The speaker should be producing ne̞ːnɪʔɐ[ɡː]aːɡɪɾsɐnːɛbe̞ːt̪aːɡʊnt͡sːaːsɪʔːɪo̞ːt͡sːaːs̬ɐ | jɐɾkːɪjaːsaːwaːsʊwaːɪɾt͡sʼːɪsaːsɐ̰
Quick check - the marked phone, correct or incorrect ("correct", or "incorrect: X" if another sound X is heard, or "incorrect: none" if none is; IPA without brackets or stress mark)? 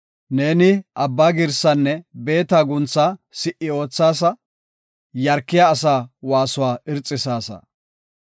incorrect: bː